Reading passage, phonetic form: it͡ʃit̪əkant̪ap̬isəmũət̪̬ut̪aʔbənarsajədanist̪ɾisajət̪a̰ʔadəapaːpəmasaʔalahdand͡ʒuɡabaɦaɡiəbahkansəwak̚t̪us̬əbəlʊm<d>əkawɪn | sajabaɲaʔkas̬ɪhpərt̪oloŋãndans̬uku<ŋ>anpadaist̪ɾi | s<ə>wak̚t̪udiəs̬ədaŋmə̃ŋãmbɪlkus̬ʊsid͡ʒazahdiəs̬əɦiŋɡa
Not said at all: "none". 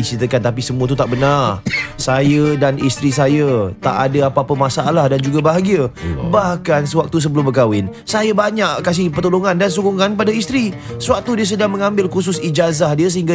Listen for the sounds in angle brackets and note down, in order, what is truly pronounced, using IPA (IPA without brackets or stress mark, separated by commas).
b, ŋ, ə